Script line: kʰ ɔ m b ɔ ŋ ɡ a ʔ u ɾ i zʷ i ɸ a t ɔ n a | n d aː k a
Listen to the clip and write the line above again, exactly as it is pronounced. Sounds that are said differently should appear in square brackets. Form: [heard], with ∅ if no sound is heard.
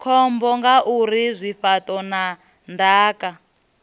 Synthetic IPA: kʰ ɔ m b ɔ ŋ ɡ a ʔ u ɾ i zʷ i ɸ a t ɔ n a | n d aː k a